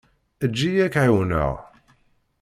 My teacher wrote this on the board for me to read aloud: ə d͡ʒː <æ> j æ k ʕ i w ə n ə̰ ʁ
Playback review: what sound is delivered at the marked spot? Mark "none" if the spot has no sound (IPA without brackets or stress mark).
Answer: i